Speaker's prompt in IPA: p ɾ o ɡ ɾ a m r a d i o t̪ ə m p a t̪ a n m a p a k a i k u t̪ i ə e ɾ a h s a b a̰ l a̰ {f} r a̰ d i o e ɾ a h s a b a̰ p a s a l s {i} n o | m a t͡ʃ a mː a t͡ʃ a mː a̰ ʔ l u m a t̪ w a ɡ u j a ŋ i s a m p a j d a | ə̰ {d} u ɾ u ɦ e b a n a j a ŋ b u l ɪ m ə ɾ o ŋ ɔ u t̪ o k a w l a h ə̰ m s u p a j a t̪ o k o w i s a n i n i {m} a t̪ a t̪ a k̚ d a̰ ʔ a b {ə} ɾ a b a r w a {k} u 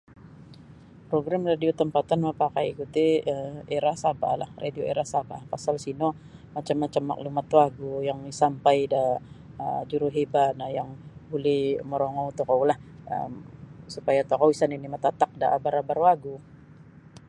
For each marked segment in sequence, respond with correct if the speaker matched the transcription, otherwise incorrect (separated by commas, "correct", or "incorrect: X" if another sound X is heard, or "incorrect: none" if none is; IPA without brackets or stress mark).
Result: incorrect: h, correct, incorrect: d͡ʒ, correct, incorrect: a, incorrect: ɡ